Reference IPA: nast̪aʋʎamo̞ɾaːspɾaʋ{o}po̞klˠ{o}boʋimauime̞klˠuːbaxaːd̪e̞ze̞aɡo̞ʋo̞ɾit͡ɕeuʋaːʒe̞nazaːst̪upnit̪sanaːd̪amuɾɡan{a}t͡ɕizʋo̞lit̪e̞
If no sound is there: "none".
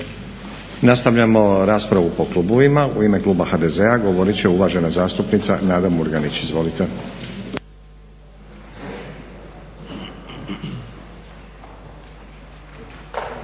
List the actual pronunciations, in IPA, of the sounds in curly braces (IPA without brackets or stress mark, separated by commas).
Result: u, u, i